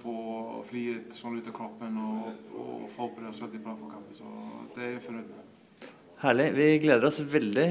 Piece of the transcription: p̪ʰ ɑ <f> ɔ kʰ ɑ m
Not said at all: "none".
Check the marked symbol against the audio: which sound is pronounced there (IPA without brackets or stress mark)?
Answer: f